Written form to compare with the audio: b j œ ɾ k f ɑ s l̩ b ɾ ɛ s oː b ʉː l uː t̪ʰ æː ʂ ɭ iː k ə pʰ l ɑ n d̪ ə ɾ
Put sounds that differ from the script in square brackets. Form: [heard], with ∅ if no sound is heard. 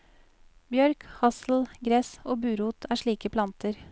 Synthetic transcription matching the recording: b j œ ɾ k [h] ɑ s l̩ [ɡ] ɾ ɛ s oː b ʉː [ɾ] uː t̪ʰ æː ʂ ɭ iː k ə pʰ l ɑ n [t̪] ə ɾ